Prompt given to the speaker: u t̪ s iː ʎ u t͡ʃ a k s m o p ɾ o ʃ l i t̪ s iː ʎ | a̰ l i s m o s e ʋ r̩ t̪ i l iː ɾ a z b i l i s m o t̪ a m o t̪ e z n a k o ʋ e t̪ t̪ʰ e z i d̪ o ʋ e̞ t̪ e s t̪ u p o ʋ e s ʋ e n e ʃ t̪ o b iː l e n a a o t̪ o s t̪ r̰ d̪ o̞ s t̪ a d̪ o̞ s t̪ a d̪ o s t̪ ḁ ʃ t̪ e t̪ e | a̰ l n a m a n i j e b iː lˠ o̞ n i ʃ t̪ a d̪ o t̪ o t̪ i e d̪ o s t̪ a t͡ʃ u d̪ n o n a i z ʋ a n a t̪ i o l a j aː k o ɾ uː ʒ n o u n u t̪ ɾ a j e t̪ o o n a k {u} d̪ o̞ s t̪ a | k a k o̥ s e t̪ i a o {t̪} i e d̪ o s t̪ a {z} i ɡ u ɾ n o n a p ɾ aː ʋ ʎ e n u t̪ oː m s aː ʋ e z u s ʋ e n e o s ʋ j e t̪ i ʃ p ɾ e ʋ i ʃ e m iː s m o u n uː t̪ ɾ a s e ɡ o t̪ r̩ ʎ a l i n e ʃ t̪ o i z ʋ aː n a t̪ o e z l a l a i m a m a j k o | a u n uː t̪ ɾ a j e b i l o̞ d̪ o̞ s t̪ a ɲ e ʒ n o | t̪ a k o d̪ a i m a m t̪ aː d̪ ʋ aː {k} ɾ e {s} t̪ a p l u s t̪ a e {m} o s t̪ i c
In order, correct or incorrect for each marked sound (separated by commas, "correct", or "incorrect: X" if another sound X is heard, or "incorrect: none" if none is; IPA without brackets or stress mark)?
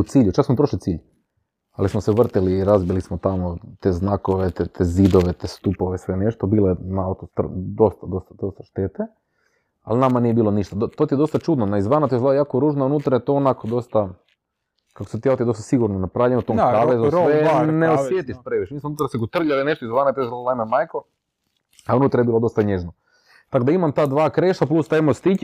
incorrect: o, correct, incorrect: s, correct, incorrect: ʃ, correct